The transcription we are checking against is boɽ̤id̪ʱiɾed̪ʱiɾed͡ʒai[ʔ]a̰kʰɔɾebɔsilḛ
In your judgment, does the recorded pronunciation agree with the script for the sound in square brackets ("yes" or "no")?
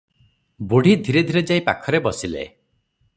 no